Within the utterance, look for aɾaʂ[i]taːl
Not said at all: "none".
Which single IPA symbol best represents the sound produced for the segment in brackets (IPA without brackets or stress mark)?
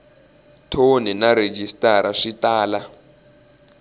i